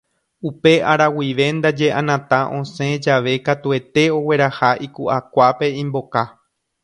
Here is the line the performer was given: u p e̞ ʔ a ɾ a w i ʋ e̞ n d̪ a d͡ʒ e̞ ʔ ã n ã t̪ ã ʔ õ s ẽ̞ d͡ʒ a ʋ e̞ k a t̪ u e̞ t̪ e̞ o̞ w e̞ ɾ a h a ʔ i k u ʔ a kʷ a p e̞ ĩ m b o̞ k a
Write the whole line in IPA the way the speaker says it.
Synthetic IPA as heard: u p e̞ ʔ a ɾ a w i ʋ e̞ n d̪ a d͡ʒ e̞ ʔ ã n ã t̪ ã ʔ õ s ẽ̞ d͡ʒ a ʋ e̞ k a t̪ u e̞ t̪ e̞ o̞ w e̞ ɾ a h a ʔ i k u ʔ a kʷ a p e̞ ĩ m b o̞ k a